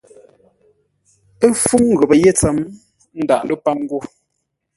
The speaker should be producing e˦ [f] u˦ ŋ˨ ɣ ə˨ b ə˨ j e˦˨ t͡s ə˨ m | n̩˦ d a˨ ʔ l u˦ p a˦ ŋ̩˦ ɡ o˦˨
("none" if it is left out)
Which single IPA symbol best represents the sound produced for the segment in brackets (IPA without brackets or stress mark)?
f